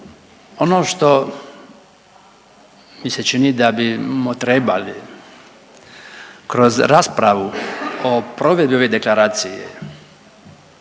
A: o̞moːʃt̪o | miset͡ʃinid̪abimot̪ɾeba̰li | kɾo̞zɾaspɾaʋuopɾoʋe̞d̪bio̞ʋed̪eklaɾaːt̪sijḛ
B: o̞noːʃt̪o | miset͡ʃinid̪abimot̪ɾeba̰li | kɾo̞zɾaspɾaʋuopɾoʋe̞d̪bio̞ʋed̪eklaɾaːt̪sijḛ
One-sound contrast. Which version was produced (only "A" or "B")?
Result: B